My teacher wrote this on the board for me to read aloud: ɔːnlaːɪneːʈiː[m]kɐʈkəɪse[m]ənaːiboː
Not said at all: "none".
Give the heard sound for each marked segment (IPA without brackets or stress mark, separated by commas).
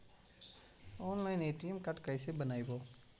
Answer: m, b